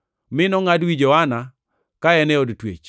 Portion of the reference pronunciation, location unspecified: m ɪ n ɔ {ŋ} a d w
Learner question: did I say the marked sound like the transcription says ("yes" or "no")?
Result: yes